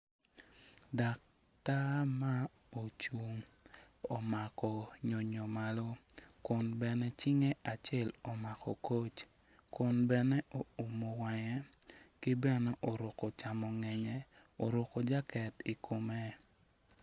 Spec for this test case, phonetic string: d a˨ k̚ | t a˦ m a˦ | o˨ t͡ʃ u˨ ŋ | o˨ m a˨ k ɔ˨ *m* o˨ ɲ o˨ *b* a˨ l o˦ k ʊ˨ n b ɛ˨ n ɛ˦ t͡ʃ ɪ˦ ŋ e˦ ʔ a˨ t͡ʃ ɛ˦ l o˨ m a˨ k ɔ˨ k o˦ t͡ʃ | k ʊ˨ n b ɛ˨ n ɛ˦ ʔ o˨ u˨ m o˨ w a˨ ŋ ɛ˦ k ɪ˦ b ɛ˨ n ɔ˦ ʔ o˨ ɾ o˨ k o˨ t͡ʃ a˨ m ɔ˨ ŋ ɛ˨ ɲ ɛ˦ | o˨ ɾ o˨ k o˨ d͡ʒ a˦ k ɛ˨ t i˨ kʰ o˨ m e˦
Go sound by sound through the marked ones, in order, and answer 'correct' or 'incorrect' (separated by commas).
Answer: incorrect, incorrect